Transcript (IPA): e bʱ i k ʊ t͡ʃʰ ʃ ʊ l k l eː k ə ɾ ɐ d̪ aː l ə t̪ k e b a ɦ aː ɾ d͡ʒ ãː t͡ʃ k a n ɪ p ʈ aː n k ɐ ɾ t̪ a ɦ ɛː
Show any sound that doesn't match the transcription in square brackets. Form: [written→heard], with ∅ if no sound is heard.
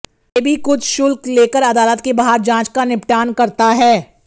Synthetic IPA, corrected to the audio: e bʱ i k ʊ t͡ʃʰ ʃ ʊ l k l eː k ə ɾ ɐ d̪ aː l ə t̪ k e b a ɦ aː ɾ d͡ʒ ãː t͡ʃ k a n ɪ p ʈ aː n k ɐ ɾ t̪ a ɦ ɛː